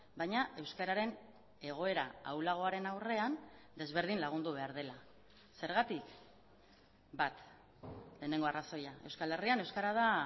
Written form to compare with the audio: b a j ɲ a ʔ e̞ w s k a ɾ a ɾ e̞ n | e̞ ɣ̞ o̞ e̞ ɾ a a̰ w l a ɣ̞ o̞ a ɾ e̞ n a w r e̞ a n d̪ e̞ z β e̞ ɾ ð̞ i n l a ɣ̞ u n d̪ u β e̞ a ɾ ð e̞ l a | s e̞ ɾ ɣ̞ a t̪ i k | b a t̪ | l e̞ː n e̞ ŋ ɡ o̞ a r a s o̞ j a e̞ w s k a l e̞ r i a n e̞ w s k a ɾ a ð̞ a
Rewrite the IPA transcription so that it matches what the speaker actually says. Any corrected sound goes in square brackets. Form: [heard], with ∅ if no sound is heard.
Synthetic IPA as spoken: b a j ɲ a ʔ e̞ w s k a ɾ a ɾ e̞ n | e̞ ɣ̞ o̞ e̞ ɾ a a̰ w l a ɣ̞ o̞ a ɾ e̞ n a w r e̞ a n d̪ e̞ z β e̞ ɾ ð̞ i n l a ɣ̞ u n d̪ u β e̞ a ɾ ð e̞ l a | s e̞ ɾ ɣ̞ a t̪ i k | b a t̪ | l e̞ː n e̞ ŋ ɡ o̞ a r a s o̞ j a e̞ w s k a l e̞ r i a n e̞ w s k a ɾ a ð̞ a